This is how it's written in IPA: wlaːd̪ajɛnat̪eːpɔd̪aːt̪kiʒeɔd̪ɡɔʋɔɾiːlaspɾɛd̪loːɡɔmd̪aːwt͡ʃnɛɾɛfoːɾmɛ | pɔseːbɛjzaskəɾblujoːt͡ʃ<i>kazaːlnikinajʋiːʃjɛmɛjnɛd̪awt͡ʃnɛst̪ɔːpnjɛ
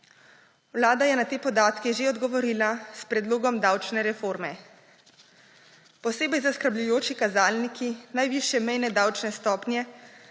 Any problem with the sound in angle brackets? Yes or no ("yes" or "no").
no